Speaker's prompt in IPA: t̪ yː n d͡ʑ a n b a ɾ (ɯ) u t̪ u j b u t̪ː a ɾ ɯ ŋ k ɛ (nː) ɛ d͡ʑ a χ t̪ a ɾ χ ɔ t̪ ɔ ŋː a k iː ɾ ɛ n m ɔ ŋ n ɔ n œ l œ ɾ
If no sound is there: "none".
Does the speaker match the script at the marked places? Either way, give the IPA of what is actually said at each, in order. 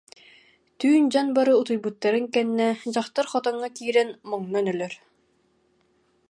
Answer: ɯ, nː

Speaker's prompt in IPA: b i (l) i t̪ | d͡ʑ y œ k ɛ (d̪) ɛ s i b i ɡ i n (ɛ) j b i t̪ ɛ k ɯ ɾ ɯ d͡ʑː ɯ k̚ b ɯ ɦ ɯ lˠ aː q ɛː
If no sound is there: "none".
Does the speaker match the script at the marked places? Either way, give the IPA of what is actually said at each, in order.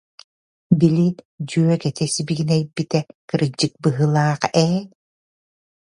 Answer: l, t̪, ɛ

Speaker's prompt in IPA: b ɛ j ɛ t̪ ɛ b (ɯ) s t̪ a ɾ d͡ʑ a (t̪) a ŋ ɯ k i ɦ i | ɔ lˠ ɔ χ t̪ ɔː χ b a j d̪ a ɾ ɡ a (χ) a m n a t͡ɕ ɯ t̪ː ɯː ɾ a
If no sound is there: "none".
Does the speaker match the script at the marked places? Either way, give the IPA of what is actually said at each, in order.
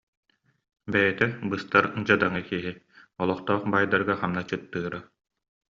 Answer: ɯ, d̪, χ

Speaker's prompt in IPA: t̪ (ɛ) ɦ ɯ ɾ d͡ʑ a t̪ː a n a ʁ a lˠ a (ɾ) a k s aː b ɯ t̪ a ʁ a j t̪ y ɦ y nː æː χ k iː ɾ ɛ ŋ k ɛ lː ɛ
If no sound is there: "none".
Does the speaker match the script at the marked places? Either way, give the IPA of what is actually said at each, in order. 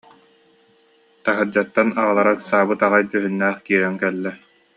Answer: a, ɾ

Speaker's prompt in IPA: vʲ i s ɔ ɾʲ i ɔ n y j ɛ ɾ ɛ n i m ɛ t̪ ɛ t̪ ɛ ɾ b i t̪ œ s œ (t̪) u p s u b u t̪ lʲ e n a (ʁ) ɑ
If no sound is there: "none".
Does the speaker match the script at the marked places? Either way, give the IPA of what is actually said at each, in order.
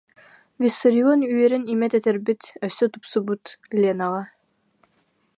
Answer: t̪, ʁ

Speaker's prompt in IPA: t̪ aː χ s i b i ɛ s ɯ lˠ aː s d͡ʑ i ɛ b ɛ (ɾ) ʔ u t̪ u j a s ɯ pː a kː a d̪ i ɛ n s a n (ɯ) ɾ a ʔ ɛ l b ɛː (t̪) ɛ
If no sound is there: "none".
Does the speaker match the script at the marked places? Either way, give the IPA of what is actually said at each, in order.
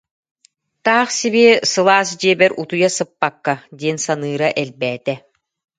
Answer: ɾ, ɯː, t̪

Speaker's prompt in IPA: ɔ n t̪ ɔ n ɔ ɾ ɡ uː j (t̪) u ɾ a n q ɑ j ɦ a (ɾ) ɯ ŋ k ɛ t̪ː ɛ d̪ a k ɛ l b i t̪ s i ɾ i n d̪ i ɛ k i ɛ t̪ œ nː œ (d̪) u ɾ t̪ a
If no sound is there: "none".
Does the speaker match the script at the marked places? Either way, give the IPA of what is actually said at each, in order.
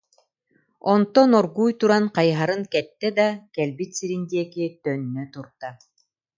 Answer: t̪, ɾ, t̪

